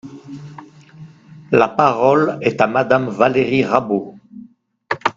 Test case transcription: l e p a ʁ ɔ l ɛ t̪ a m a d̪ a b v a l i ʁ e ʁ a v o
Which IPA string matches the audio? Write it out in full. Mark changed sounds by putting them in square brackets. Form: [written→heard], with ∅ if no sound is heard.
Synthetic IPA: l [e→a] p a ʁ ɔ l ɛ t̪ a m a d̪ a [b→m] v a l [i→e] ʁ [e→i] ʁ a [v→b] o